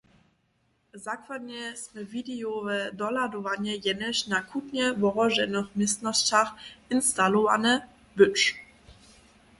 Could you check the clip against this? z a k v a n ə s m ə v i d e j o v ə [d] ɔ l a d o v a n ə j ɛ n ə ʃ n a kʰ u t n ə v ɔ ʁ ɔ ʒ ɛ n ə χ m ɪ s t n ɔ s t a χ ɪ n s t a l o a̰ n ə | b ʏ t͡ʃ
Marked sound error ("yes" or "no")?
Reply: no